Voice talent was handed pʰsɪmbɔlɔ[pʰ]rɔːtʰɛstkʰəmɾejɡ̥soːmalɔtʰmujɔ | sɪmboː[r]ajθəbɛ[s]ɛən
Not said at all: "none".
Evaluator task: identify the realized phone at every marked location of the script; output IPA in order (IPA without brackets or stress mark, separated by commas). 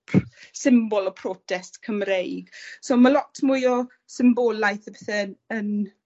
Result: pʰ, l, θ